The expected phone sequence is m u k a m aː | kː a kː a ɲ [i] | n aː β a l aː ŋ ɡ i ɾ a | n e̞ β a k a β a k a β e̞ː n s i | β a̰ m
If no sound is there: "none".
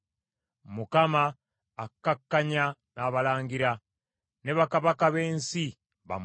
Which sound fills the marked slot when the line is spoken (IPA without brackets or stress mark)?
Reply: a